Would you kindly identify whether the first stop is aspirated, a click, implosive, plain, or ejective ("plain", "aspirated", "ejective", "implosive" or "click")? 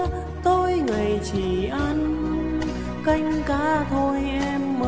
plain